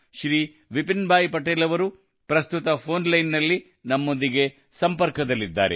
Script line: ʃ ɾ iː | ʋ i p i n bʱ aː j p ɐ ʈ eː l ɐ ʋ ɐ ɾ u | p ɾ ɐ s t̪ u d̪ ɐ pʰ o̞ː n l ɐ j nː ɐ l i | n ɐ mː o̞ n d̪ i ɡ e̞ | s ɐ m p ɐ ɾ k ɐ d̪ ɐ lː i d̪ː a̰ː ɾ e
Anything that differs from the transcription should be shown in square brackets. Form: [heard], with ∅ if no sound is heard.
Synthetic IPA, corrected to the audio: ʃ ɾ iː | ʋ i p i n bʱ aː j p ɐ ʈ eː l ɐ ʋ ɐ ɾ u | p ɾ ɐ s t̪ u [t̪] ɐ pʰ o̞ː n l ɐ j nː ɐ [lː] i | n ɐ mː o̞ n d̪ i ɡ e̞ | s ɐ m p ɐ ɾ k ɐ d̪ ɐ lː i d̪ː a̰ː ɾ e